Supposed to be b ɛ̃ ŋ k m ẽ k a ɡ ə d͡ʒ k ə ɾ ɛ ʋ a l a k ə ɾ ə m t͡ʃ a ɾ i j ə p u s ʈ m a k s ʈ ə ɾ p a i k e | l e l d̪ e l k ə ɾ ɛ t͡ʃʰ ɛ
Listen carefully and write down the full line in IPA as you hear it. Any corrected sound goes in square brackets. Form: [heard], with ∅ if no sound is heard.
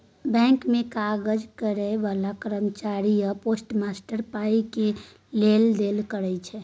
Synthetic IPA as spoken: b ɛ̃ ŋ k m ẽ k a ɡ ə d͡ʒ k ə ɾ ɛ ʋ a l a k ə ɾ ə m t͡ʃ a ɾ i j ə p [o] s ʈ m a [∅] s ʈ ə ɾ p a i k e | l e l d̪ e l k ə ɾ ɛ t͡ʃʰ ɛ